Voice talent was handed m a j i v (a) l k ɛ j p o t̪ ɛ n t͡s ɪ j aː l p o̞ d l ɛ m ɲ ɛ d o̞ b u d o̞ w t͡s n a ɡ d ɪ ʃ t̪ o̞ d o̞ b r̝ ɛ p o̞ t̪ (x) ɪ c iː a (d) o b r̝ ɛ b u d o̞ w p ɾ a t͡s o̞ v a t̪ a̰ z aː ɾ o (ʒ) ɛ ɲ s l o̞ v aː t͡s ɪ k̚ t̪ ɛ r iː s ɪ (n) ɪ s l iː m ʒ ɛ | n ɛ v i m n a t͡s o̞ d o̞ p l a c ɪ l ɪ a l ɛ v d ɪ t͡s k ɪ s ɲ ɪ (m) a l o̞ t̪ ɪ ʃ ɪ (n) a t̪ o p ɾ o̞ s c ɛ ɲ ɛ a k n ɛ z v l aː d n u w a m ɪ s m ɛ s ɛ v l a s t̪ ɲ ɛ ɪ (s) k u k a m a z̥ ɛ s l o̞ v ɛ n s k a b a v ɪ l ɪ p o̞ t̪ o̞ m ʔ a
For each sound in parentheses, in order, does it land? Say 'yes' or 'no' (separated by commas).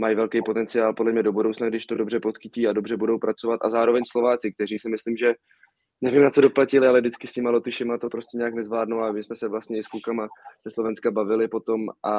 no, yes, yes, no, no, yes, no, yes